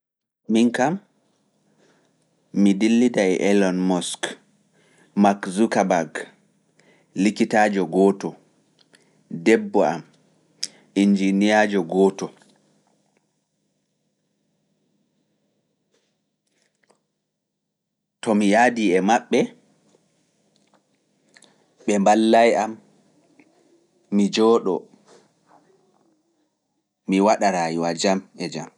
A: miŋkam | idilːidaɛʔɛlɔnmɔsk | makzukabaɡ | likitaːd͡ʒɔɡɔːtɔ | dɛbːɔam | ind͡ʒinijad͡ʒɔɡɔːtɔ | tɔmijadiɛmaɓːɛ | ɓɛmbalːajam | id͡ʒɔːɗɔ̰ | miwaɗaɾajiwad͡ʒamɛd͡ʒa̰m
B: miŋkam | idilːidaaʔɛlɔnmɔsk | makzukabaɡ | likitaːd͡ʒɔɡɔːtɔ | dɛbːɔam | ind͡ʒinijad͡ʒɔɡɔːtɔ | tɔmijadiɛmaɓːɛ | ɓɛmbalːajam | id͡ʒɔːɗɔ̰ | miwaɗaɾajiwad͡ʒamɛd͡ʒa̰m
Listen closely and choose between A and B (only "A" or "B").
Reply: A